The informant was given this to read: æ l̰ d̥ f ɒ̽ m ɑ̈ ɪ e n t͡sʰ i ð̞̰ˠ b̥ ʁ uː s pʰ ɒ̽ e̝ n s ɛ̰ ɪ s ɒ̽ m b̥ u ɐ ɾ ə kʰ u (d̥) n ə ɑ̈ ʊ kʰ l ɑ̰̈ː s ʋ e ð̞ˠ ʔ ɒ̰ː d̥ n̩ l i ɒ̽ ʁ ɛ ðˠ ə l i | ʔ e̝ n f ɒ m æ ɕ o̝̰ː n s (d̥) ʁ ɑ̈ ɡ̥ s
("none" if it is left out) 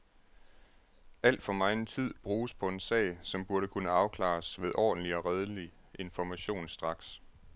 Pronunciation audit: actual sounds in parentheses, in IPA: none, d̥

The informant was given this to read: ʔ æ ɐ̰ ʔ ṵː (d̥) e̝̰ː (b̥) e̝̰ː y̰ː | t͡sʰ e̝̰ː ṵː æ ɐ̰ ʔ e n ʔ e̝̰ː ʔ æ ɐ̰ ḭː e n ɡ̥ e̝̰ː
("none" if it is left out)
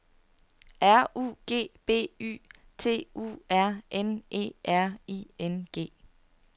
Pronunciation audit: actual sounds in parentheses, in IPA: ɡ̥, b̥

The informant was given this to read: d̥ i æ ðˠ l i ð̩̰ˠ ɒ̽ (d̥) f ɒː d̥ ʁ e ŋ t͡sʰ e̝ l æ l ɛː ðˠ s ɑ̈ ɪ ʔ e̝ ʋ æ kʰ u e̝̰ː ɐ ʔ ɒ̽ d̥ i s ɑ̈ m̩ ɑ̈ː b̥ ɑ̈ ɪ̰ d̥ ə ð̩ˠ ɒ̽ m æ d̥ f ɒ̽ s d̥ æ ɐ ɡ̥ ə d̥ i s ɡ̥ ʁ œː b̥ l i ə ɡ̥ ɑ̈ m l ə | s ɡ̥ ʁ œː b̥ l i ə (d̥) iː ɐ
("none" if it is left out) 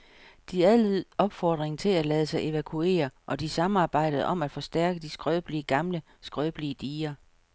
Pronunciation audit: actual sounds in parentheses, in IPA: b̥, d̥

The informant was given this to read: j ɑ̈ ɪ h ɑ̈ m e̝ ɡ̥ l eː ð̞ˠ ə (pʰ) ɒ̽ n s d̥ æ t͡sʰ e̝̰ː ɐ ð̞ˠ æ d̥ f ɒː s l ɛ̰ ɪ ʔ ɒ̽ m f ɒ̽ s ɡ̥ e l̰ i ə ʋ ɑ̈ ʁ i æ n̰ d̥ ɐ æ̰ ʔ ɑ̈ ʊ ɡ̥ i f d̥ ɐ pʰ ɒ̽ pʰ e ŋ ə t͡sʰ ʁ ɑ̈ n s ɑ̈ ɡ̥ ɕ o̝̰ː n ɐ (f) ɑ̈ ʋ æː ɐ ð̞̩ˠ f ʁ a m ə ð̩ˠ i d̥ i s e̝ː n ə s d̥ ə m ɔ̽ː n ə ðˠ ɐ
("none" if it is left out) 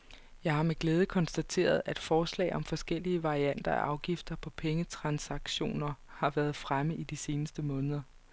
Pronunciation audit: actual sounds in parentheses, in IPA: kʰ, h

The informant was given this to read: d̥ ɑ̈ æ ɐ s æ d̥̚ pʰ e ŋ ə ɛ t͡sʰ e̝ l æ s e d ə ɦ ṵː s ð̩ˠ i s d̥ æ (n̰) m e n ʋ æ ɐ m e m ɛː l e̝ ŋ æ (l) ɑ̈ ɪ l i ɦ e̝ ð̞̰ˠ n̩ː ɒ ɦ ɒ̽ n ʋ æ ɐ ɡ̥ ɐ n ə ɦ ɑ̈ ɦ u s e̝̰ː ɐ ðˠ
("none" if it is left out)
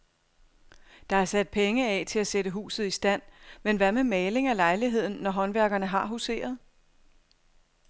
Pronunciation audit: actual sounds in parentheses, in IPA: n̰, l

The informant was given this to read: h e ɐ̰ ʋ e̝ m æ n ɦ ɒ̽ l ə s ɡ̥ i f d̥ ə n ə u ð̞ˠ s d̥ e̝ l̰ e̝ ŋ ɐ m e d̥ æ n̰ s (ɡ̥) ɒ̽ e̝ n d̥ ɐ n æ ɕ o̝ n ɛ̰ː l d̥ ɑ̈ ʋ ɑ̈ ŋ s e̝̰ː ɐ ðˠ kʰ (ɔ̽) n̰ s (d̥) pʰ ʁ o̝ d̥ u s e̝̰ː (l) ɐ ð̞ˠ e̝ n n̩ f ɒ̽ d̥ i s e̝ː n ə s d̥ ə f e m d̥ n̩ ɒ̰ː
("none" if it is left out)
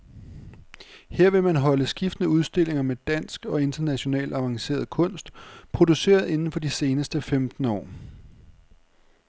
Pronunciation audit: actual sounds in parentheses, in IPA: ɡ̥, ɔ̽, d̥, none

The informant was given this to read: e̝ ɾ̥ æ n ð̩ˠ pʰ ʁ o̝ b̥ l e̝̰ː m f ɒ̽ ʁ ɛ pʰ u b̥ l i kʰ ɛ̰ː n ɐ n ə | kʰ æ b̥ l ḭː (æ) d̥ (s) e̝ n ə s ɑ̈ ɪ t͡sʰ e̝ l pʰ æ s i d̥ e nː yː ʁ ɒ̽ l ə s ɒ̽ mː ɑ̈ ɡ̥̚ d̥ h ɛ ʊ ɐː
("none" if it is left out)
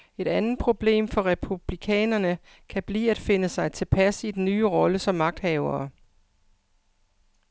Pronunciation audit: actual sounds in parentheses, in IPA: æ, f

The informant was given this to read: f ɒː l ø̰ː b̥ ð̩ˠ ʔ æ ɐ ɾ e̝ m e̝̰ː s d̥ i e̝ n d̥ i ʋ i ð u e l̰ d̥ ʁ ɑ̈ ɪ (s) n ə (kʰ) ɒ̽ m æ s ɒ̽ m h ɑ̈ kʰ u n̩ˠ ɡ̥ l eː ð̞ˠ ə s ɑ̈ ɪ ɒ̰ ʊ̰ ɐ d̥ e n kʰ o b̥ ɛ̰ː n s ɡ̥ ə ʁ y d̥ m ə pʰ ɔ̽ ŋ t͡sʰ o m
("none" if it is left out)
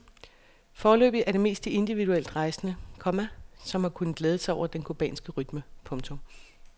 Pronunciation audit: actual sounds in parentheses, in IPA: s, kʰ

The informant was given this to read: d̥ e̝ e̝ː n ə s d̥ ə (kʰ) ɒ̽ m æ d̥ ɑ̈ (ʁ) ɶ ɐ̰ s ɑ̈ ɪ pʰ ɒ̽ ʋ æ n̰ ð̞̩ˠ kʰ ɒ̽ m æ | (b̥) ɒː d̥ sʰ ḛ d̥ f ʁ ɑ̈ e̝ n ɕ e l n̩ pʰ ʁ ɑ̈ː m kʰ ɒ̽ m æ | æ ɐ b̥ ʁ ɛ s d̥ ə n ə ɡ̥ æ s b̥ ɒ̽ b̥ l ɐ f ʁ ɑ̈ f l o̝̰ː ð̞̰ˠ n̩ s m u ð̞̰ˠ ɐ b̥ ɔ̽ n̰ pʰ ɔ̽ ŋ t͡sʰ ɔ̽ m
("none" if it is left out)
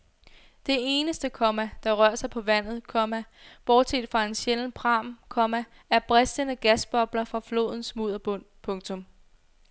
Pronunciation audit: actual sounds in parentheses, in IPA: kʰ, ʁ, b̥

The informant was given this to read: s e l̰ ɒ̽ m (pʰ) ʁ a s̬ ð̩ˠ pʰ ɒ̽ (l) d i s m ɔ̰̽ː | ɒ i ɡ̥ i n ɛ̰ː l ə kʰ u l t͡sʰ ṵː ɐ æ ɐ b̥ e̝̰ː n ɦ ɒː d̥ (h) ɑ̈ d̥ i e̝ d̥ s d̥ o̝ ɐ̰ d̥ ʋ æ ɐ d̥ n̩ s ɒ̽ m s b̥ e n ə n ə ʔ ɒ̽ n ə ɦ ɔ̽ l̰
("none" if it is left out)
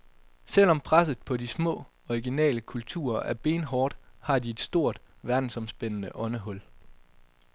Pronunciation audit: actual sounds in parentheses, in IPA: pʰ, none, h

